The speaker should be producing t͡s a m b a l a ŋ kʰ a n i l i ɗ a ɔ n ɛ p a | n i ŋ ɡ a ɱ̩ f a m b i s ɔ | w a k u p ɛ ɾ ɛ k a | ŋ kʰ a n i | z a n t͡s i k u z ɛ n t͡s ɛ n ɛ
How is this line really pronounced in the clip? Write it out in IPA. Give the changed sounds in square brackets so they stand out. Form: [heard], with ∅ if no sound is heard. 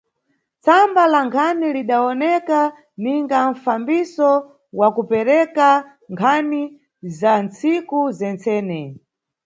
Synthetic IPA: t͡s a m b a l a ŋ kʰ a n i l i ɗ a ɔ n ɛ [k] a | n i ŋ ɡ a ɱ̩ f a m b i s ɔ | w a k u p ɛ ɾ ɛ k a | ŋ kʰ a n i | z a n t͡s i k u z ɛ n t͡s [ɛː] n ɛ